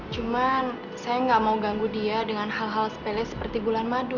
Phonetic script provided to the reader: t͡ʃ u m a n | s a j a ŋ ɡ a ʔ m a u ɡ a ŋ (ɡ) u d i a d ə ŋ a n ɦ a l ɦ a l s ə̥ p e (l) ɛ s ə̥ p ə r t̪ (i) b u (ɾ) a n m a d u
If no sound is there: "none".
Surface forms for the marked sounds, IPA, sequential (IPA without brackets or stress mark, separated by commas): ɡ, l, i, l